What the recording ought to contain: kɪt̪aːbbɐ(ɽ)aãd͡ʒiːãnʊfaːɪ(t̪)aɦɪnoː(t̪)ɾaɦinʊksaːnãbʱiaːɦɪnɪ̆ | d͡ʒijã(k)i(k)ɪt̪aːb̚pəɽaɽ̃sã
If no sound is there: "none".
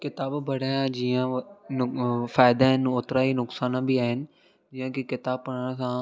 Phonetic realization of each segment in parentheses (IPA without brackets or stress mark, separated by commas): ɽ, d̪, t̪, k, k